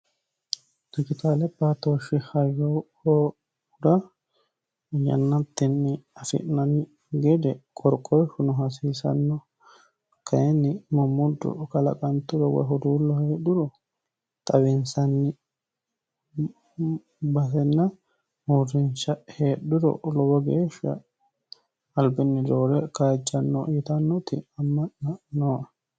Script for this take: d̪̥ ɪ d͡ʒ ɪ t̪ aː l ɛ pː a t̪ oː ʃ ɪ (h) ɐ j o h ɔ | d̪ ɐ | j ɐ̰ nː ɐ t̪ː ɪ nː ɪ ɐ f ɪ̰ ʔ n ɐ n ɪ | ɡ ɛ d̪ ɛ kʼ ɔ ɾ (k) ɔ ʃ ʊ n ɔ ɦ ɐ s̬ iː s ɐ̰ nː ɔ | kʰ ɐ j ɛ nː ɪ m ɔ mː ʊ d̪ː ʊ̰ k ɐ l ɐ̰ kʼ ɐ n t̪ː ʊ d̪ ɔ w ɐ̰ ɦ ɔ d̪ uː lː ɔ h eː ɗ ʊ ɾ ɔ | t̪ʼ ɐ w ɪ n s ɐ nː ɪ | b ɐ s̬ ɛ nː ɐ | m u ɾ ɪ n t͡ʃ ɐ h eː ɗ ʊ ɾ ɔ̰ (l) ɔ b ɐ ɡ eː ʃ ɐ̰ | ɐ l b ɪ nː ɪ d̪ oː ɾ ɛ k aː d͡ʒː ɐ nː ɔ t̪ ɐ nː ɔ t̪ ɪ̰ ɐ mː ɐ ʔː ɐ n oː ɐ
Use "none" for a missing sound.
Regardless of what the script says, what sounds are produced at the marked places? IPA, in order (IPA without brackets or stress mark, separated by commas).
h, kʼ, l